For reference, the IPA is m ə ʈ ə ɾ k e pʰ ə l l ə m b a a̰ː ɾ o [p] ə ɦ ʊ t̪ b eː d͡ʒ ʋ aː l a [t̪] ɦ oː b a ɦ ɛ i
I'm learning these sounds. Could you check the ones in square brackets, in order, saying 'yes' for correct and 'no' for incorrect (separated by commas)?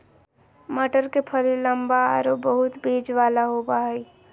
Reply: no, no